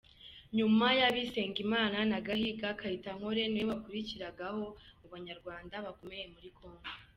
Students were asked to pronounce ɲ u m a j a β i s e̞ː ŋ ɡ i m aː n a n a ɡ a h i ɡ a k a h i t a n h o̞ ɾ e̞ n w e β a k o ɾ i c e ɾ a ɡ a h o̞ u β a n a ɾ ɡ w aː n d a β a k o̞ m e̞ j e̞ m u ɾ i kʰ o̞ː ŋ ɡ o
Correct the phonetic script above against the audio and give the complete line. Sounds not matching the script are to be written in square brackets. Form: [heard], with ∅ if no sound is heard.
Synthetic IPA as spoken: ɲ u m a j a β i s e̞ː ŋ ɡ i m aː n a n a ɡ a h i ɡ a k a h i t a [ŋ] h o̞ ɾ e̞ n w e β a k [u] ɾ i c [i] ɾ a ɡ a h o̞ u β a [ɲ] a ɾ ɡ w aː n d a β a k o̞ m e̞ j e̞ m u ɾ i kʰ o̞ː ŋ ɡ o